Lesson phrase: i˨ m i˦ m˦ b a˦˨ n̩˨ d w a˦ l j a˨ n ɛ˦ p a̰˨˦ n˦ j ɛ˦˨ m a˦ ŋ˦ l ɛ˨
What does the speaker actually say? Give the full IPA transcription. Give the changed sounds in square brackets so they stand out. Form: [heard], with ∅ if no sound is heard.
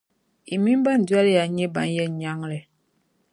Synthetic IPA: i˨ m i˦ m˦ b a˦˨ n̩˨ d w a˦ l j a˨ [ɲ] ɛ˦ [b] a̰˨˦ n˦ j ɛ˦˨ [ɲ] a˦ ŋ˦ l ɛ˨